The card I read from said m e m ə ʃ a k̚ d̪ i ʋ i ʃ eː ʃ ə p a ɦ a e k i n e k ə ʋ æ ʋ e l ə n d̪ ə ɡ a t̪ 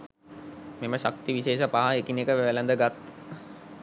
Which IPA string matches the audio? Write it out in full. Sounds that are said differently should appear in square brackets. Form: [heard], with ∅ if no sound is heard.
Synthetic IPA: m e m ə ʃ a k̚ [t̪] i ʋ i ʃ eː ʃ ə p a ɦ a e k i n e k ə ʋ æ ʋ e l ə n d̪ ə ɡ a t̪

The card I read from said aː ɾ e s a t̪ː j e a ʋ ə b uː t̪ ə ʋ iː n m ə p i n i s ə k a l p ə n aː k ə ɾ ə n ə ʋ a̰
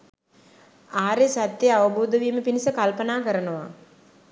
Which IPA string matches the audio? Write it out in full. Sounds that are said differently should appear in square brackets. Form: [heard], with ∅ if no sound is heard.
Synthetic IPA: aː ɾ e s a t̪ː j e a ʋ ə b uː [d̪] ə ʋ iː [∅] m ə p i n i s ə k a l p ə n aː k ə ɾ ə n ə ʋ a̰

